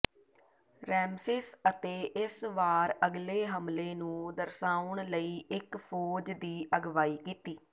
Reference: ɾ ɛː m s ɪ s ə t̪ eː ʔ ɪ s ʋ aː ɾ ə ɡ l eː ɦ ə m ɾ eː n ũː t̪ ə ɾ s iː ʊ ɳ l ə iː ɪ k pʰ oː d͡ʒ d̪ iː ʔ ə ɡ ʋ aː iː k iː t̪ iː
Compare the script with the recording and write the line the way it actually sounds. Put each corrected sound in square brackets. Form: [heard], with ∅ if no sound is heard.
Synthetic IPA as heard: ɾ ɛː m s ɪ s ə t̪ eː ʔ ɪ s ʋ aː ɾ ə ɡ l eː ɦ ə m [l] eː n ũː [d̪] ə ɾ s [aː] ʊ ɳ l ə iː ɪ k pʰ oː d͡ʒ d̪ iː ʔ ə ɡ ʋ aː iː k iː t̪ iː